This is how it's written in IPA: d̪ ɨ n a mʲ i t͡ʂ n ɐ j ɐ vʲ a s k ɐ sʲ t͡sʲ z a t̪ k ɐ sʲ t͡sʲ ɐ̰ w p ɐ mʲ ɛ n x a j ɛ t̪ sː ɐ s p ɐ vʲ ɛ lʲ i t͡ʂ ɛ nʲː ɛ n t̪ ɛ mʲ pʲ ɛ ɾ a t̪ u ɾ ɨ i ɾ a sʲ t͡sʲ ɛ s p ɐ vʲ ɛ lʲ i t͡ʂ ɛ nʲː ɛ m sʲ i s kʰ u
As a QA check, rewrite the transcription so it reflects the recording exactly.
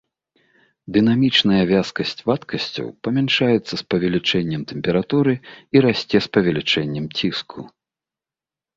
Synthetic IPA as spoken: d̪ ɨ n a mʲ i t͡ʂ n ɐ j ɐ vʲ a s k ɐ sʲ t͡sʲ v a t̪ k ɐ sʲ t͡sʲ ɐ̰ w p ɐ mʲ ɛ n ʂ a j ɛ t̪ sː ɐ s p ɐ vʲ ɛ lʲ i t͡ʂ ɛ nʲː ɛ m t̪ ɛ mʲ pʲ ɛ ɾ a t̪ u ɾ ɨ i ɾ a sʲ t͡sʲ ɛ s p ɐ vʲ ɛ lʲ i t͡ʂ ɛ nʲː ɛ m t͡sʲ i s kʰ u

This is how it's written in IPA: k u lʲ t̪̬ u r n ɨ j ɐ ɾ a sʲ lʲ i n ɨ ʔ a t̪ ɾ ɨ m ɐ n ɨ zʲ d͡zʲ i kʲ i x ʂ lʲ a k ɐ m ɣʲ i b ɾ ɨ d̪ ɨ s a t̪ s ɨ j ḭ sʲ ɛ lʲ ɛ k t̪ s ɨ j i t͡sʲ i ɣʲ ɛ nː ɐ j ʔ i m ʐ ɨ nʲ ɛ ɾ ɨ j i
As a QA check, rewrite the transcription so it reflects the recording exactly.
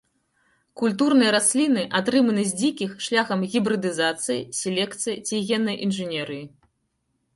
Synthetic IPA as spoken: k u lʲ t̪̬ u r n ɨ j ɐ ɾ a sʲ lʲ i n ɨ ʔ a t̪ ɾ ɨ m ɐ n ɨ zʲ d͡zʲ i kʲ i x ʂ lʲ a x ɐ m ɣʲ i b ɾ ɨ d̪ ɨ z a t̪ s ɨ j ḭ sʲ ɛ lʲ ɛ k t̪ s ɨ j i t͡sʲ i ɣʲ ɛ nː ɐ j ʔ i n ʐ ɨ nʲ ɛ ɾ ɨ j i

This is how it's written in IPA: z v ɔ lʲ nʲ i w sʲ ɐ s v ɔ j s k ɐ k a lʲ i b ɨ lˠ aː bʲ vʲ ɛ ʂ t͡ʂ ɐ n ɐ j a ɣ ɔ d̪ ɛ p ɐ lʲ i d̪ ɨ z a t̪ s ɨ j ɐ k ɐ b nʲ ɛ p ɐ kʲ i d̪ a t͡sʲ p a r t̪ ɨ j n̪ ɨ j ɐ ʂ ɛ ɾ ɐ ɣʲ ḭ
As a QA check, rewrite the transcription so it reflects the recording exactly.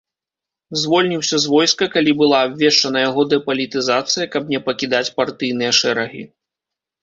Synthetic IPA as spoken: z v ɔ lʲ nʲ i w sʲ ɐ z v ɔ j s k ɐ k a lʲ i b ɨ lˠ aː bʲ vʲ ɛ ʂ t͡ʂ ɐ n ɐ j a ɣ ɔ d̪ ɛ p ɐ lʲ i t̪ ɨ z a t̪ s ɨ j ɐ k ɐ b nʲ ɛ p ɐ kʲ i d̪ a t͡sʲ p a r t̪ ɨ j n̪ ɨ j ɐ ʂ ɛ ɾ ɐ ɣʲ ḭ

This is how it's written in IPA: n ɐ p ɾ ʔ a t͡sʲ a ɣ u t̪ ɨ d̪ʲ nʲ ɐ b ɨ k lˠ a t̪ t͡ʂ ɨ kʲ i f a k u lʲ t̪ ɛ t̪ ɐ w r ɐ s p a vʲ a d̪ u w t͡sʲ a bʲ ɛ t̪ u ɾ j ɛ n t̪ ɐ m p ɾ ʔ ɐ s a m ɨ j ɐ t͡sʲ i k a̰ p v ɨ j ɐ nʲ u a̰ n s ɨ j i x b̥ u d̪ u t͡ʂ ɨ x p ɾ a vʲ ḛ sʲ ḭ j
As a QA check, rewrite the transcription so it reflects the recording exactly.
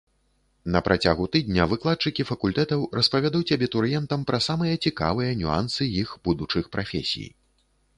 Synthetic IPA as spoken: n ɐ p ɾ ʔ a t͡sʲ a ɣ u t̪ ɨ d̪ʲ nʲ ɐ v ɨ k lˠ a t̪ t͡ʂ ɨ kʲ i f ɐ k u lʲ t̪ ɛ t̪ ɐ w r ɐ s p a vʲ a d̪ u w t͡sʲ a bʲ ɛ t̪ u ɾ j ɛ n t̪ ɐ m p ɾ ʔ ɐ s a m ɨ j ɐ t͡sʲ i k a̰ v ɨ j ɐ nʲ u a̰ n s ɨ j i x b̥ u d̪ u t͡ʂ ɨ x p ɾ a fʲ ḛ sʲ ḭ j

